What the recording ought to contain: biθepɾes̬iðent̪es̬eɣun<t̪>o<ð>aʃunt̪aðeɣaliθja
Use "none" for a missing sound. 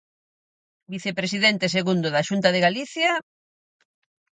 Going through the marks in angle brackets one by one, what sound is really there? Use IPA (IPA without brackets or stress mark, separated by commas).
d̪, ð